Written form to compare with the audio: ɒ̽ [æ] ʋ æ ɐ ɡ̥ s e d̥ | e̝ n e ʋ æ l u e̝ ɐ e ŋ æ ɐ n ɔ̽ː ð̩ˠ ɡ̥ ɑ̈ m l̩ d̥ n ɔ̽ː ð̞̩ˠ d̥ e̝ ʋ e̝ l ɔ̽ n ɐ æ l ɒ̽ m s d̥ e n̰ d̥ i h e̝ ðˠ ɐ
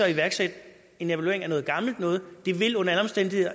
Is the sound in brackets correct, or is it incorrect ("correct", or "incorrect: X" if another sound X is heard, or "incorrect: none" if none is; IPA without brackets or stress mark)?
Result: incorrect: i